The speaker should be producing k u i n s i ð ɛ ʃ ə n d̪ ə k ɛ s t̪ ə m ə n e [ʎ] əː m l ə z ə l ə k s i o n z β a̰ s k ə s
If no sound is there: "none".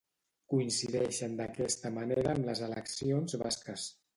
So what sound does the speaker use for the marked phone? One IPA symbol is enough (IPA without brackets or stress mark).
ɾ